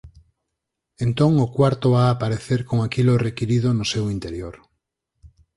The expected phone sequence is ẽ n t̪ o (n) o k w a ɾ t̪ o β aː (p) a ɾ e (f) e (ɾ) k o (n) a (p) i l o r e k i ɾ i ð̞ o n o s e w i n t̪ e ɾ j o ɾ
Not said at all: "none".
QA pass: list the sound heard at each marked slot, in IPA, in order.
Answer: ŋ, p, θ, ɾ, ŋ, k

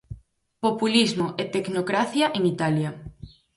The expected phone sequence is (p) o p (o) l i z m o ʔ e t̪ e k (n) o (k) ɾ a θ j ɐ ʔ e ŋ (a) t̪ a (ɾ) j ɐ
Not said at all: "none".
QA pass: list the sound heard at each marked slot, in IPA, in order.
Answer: p, u, n, k, i, l

